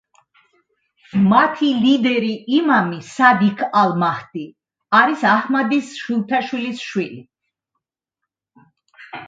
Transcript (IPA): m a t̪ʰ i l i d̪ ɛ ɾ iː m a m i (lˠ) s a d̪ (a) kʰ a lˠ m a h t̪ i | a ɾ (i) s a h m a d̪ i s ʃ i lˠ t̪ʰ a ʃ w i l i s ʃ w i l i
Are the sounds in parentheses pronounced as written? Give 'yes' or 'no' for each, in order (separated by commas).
no, no, yes